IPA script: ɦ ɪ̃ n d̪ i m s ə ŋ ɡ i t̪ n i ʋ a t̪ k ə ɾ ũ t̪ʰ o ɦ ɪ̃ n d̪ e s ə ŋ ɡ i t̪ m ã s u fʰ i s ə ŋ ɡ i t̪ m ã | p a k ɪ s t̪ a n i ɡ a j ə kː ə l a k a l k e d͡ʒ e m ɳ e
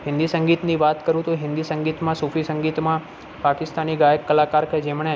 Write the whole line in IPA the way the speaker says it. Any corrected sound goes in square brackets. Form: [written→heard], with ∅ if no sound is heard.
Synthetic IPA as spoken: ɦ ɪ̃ n d̪ i [m→∅] s ə ŋ ɡ i t̪ n i ʋ a t̪ k ə ɾ ũ [t̪ʰ→t̪] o ɦ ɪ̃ n d̪ [e→i] s ə ŋ ɡ i t̪ m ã s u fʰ i s ə ŋ ɡ i t̪ m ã | p a k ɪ s t̪ a n i ɡ a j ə kː ə l a k a [l→ɾ] k e d͡ʒ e m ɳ e